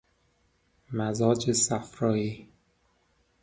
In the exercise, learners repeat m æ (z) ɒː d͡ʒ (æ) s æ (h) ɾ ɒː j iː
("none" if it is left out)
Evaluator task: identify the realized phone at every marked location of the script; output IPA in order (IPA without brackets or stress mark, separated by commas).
z, e, f